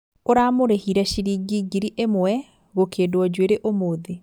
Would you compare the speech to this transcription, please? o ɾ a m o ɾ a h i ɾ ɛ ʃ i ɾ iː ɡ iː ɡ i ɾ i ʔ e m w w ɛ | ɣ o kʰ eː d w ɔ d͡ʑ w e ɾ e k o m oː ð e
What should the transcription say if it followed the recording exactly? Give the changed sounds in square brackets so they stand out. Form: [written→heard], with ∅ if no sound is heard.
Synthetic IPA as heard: o ɾ a m o ɾ [a→e] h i ɾ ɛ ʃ i ɾ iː ɡ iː ɡ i ɾ i ʔ e m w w ɛ | ɣ o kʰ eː d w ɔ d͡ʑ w e ɾ e [k→ʔ] o m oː ð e